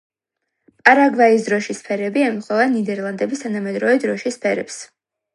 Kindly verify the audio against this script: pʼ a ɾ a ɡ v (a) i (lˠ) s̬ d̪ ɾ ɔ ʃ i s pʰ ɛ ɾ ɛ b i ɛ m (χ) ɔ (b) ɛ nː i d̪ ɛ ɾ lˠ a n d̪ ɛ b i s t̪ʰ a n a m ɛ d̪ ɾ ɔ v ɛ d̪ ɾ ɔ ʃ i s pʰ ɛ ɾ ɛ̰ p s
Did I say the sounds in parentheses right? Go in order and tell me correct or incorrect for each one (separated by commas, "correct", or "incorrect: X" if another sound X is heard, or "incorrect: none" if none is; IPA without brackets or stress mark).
correct, incorrect: none, correct, incorrect: v